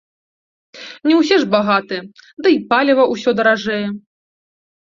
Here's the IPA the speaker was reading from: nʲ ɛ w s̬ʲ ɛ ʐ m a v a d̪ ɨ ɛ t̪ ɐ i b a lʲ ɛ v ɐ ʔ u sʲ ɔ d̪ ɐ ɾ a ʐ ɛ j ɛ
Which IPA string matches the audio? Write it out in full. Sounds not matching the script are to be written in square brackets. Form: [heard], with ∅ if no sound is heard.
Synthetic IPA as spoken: nʲ ɛ w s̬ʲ ɛ ʐ [b] a [ɣ] a [t̪] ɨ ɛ [d̪] ɐ i [p] a lʲ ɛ v ɐ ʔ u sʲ ɔ d̪ ɐ ɾ a ʐ ɛ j ɛ